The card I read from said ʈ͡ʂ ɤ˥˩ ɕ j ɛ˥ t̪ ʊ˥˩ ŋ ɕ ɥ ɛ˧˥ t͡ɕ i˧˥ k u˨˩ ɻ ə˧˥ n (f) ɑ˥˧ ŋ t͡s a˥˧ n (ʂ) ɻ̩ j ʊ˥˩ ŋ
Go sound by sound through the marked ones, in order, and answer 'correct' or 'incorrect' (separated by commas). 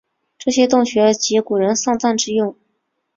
incorrect, incorrect